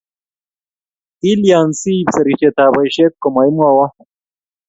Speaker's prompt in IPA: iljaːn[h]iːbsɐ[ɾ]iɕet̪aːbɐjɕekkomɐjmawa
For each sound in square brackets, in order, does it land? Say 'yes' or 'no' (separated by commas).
no, yes